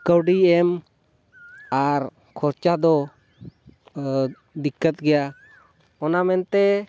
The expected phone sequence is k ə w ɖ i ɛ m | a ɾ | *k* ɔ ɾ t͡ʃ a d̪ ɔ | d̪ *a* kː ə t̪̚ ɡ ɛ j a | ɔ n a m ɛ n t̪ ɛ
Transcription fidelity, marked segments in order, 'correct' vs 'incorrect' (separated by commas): incorrect, incorrect